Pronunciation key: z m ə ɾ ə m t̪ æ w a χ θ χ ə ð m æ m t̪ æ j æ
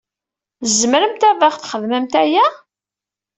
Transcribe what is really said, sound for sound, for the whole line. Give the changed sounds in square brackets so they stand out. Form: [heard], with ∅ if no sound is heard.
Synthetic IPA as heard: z m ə ɾ ə m t̪ æ [v] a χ θ χ ə ð m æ m t̪ æ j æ